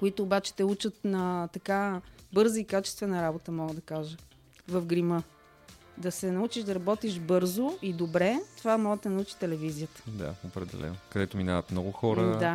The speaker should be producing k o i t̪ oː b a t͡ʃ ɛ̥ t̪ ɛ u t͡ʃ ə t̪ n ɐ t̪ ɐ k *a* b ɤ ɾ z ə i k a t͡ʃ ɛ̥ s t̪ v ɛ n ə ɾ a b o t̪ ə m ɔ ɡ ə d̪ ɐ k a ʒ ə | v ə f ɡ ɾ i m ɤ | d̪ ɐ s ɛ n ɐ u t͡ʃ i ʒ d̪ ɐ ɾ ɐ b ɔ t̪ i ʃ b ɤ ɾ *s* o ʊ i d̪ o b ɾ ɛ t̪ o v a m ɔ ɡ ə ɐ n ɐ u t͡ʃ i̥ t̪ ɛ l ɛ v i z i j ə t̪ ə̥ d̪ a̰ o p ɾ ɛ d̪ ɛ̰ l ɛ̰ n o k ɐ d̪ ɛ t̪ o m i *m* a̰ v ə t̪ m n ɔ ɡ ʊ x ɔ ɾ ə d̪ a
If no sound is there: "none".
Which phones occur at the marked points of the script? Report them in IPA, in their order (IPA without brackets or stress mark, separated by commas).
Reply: a, z, n